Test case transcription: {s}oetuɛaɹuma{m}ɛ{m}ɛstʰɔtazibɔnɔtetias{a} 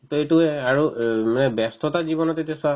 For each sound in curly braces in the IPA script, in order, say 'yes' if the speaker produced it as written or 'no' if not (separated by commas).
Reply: no, no, no, yes